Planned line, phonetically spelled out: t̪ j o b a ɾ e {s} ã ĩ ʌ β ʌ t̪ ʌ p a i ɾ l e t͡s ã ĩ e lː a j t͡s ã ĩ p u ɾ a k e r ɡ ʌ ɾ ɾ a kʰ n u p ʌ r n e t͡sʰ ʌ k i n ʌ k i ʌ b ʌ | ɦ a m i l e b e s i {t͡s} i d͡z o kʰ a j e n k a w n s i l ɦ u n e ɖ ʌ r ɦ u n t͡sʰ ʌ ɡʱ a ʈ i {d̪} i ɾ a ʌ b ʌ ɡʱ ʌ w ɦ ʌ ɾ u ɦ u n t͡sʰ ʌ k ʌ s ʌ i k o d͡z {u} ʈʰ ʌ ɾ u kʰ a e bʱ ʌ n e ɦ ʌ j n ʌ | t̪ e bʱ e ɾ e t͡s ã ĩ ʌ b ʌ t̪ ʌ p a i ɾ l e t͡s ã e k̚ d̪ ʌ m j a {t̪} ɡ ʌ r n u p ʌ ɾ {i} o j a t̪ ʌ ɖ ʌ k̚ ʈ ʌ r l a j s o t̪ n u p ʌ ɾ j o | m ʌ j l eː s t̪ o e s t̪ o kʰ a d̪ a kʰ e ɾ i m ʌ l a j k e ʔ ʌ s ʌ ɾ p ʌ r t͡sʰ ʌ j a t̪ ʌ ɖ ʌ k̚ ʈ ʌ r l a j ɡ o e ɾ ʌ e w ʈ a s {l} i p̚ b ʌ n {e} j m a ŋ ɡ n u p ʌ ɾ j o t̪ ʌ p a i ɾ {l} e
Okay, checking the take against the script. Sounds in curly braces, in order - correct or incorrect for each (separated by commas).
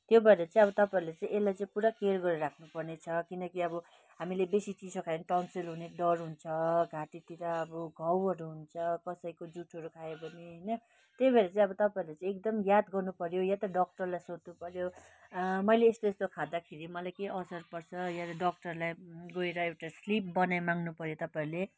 incorrect, correct, incorrect, correct, incorrect, incorrect, correct, incorrect, correct